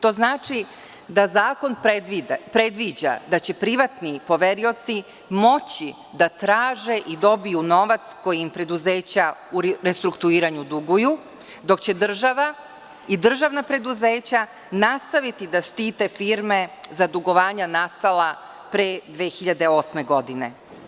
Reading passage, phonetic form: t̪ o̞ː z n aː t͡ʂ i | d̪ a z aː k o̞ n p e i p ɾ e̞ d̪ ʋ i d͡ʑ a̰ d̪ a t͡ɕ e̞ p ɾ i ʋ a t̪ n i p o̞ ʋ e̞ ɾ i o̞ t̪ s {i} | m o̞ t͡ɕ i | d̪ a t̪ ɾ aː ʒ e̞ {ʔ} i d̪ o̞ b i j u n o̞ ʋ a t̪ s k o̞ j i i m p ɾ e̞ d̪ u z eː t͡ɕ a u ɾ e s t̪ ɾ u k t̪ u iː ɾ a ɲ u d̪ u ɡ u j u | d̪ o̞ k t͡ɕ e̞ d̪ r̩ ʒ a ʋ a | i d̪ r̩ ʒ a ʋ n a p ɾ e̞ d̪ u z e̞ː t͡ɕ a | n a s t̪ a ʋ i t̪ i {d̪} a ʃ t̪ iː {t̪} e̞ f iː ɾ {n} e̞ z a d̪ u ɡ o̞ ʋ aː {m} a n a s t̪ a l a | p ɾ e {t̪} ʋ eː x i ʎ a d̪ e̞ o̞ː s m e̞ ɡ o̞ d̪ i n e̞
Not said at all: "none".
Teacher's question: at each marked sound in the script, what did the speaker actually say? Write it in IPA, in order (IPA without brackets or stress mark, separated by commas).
i, ʔ, d̪, t̪, m, ɲ, d̪